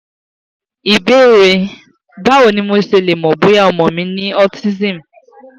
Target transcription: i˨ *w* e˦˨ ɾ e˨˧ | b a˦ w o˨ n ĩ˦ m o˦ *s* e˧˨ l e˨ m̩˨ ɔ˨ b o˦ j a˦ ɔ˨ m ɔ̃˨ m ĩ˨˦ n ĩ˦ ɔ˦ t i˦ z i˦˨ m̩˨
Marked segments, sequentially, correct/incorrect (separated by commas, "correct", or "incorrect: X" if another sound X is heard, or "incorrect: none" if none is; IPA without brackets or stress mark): incorrect: b, correct